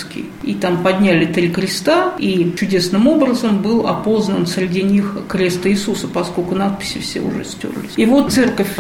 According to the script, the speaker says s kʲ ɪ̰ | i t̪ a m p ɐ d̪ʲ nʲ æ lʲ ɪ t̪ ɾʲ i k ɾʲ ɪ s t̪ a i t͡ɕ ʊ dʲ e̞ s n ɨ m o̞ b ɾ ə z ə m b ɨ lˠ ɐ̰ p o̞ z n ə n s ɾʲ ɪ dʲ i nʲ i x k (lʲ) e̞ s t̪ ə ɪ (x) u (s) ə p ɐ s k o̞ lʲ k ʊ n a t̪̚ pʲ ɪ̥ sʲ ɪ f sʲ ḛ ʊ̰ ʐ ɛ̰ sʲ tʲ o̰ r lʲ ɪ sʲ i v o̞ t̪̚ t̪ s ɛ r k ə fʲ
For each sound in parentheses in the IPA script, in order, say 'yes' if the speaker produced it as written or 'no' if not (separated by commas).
no, no, yes